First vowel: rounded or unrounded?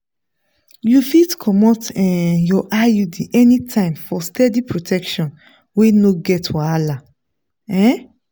rounded